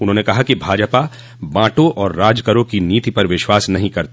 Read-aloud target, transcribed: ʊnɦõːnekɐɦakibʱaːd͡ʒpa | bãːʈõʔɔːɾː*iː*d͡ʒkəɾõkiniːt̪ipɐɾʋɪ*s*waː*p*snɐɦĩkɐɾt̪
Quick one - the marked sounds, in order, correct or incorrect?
incorrect: aː, incorrect: ʃ, incorrect: none

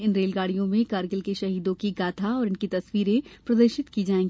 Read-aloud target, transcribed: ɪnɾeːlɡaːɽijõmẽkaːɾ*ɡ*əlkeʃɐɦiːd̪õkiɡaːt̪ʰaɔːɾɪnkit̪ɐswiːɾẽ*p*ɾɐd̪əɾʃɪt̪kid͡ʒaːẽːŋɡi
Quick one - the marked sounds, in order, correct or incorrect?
correct, correct

